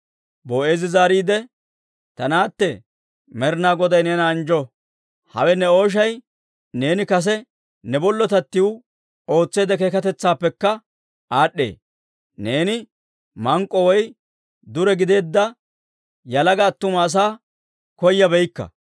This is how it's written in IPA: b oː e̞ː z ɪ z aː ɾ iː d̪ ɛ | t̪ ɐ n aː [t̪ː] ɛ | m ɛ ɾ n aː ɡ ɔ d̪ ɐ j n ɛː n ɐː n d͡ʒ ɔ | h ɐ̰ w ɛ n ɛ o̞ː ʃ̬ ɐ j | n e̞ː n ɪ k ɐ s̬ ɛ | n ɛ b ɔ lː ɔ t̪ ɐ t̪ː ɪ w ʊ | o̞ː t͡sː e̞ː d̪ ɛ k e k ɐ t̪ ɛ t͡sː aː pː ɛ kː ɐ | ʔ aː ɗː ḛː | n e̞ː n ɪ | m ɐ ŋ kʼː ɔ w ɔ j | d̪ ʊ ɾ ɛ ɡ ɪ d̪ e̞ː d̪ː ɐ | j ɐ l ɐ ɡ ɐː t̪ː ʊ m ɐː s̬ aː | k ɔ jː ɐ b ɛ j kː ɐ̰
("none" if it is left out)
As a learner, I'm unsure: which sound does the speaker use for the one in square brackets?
t̪ː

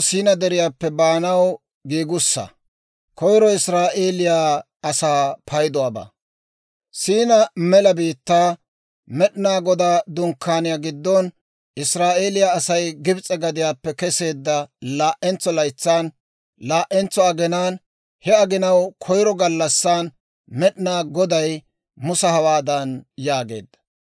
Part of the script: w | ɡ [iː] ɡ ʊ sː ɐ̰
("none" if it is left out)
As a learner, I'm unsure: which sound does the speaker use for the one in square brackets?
iː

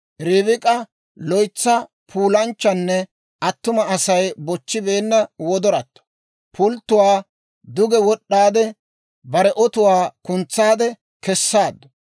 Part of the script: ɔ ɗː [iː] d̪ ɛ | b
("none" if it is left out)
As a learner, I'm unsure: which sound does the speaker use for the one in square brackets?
aː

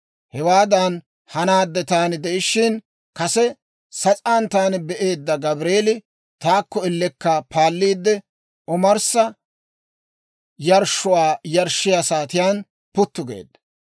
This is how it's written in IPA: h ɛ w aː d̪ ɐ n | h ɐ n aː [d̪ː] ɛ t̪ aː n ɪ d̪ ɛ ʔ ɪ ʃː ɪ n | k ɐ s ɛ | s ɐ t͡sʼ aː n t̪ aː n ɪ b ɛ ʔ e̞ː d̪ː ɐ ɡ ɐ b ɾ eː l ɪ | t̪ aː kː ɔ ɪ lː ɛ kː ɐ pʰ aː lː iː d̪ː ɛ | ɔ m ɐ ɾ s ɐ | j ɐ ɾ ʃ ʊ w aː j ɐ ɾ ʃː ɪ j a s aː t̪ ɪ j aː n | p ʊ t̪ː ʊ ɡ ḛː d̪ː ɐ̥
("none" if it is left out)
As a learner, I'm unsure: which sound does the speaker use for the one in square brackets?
d̪ː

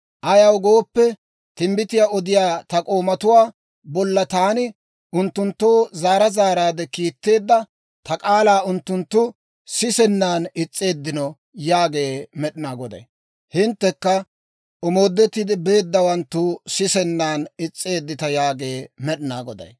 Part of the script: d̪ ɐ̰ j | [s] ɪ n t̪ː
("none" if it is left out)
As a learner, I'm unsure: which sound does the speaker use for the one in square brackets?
h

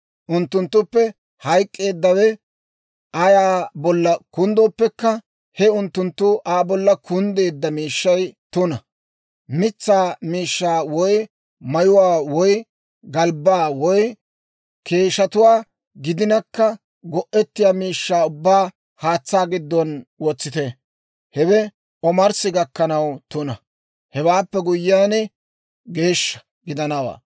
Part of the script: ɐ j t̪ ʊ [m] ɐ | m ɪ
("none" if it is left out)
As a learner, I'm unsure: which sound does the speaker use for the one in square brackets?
n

